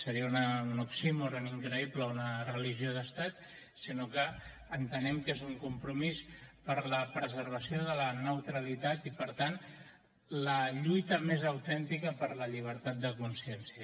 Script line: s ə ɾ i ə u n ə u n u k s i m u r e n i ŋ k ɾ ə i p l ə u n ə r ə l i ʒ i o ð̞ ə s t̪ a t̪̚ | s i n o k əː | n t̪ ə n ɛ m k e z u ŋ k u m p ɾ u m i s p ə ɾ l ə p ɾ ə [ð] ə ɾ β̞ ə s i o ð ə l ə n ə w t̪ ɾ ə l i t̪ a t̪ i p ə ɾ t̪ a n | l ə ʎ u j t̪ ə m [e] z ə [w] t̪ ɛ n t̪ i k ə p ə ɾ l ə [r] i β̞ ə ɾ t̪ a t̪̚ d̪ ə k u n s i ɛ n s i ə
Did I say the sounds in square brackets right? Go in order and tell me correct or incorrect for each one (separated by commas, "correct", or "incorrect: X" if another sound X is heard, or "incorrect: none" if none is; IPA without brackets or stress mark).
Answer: incorrect: z, correct, correct, incorrect: ʎ